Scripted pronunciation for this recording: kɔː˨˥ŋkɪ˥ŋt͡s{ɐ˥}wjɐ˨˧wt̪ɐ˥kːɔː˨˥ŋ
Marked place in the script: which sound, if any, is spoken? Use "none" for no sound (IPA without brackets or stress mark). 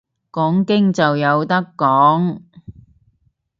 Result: ɐ˨